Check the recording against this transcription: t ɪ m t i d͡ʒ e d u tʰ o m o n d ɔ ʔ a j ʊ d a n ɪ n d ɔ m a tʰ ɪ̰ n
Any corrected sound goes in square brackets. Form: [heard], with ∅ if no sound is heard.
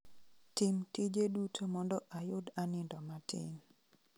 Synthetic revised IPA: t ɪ m t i d͡ʒ e d u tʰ o m [ɔ] n d ɔ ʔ a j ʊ d a n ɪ n d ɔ m a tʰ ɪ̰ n